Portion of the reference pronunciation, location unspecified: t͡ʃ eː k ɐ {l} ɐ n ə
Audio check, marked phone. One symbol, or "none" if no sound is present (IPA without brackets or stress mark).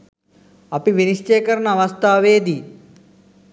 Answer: ɾ